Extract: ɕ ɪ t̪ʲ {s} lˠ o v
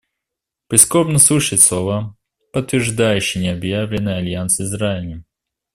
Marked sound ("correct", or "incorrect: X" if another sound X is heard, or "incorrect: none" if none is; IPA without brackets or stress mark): correct